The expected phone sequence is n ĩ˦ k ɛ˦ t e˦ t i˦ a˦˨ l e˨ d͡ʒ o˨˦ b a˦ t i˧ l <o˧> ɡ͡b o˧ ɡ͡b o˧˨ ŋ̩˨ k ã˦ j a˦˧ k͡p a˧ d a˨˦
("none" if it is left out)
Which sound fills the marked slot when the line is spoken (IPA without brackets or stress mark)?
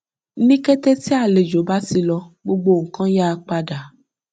ɔ˧